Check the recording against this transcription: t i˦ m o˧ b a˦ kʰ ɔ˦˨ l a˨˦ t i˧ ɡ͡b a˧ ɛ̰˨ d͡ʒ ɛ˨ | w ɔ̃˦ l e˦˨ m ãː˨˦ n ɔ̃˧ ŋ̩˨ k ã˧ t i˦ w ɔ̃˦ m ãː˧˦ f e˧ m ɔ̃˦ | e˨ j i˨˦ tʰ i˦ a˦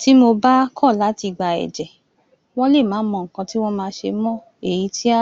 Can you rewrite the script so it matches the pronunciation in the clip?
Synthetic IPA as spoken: t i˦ m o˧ b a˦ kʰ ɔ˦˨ l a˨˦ t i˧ ɡ͡b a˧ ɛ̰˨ d͡ʒ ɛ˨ | w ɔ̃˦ l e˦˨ m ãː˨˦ m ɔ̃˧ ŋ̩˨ k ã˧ t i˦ w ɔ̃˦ m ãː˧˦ ʃ e˧ m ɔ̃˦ | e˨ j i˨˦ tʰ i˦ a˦